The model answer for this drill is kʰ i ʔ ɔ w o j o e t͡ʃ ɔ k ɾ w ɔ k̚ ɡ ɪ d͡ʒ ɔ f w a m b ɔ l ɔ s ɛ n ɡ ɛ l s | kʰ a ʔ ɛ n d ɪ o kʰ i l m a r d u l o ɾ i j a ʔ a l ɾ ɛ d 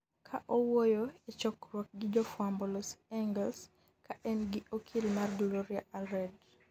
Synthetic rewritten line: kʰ a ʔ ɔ w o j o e t͡ʃ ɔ k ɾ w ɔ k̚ ɡ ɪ d͡ʒ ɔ f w a m b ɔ l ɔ s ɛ ŋ ɡ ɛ l s | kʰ a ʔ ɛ n ɡ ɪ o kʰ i l m a r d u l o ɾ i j a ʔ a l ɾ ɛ d